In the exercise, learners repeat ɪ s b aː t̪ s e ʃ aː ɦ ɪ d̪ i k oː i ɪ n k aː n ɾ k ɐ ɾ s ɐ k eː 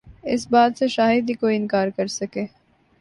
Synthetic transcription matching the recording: ɪ s b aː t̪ s e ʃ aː ɦ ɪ d̪ i k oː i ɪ n k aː ɾ k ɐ ɾ s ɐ k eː